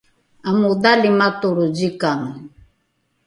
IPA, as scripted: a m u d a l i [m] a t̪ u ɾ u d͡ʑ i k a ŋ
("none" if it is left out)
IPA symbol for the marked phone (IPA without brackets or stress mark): m